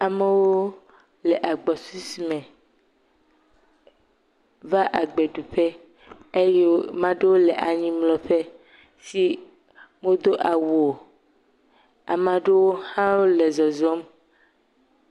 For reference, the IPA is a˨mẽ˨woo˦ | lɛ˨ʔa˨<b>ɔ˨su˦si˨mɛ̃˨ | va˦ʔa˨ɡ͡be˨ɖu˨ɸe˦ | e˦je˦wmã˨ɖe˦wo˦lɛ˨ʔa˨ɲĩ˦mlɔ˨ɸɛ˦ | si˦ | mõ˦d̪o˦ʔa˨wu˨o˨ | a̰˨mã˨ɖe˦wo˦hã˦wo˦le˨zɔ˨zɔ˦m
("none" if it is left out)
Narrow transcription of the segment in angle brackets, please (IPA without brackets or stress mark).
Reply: ɡ͡b